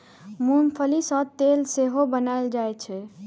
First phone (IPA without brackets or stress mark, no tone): m